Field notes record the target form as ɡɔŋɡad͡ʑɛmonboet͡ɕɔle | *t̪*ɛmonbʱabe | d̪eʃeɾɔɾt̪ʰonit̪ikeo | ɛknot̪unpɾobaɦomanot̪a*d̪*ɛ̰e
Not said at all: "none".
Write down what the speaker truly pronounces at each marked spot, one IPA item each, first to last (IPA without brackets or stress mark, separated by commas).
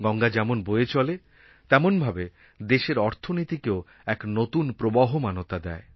t̪, d̪